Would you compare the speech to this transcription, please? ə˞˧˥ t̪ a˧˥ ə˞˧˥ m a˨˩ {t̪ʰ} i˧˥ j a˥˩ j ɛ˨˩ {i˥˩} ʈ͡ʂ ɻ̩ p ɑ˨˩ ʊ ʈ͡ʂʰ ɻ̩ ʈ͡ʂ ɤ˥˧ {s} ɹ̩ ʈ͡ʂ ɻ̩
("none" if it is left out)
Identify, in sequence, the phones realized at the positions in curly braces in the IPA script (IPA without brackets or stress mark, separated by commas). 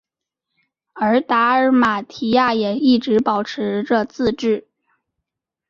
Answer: t̪ʰ, i˥˩, t͡s